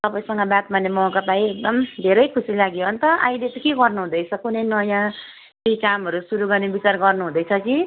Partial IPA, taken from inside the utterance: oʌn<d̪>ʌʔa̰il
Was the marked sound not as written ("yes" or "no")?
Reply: yes